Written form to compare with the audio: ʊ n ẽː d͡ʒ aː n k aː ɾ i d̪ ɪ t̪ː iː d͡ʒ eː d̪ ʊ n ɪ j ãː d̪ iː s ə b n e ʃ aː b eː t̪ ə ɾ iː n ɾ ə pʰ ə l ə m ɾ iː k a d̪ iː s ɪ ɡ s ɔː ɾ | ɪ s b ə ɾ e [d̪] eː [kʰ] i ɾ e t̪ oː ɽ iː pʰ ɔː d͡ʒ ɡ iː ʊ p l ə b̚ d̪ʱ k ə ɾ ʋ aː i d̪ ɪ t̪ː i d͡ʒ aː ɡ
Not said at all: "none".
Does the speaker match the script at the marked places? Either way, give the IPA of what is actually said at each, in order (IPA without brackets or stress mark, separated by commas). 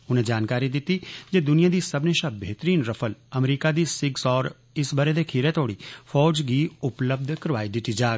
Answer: d̪, kʰ